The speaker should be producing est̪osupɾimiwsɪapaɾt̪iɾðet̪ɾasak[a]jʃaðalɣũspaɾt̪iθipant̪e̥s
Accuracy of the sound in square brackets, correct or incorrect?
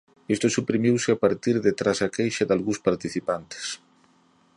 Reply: incorrect